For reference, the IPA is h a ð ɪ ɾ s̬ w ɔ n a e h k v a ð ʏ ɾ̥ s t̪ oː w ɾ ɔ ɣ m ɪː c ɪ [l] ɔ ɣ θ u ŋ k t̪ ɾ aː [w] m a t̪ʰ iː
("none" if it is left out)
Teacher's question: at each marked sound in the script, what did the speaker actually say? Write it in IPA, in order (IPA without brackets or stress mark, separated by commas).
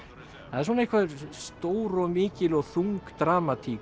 l, none